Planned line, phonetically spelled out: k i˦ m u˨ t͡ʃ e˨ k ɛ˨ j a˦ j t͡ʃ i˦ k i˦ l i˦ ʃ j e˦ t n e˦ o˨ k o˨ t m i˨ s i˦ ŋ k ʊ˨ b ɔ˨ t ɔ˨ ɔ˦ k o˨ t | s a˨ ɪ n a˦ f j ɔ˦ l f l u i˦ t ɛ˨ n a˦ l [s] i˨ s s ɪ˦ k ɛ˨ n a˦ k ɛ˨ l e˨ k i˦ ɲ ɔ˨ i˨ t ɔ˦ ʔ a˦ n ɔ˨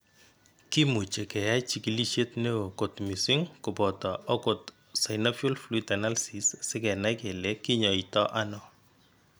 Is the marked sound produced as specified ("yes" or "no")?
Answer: yes